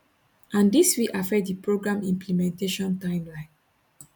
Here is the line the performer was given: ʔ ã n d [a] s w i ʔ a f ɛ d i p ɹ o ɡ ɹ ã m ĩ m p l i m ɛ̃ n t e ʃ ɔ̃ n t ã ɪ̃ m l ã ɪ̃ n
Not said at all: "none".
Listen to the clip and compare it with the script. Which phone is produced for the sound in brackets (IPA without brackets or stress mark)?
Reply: i